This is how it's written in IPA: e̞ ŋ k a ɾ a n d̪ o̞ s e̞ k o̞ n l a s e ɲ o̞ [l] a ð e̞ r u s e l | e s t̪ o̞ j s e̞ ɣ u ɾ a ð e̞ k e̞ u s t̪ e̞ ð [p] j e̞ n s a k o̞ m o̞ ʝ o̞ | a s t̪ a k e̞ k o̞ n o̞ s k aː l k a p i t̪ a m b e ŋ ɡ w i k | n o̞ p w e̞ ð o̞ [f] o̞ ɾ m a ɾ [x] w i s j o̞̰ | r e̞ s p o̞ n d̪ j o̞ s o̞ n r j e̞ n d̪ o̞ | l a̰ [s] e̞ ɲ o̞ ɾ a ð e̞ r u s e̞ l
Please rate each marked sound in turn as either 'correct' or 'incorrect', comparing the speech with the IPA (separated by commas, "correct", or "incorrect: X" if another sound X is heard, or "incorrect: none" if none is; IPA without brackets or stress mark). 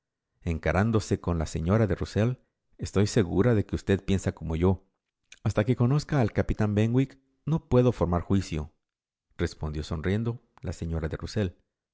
incorrect: ɾ, correct, correct, correct, correct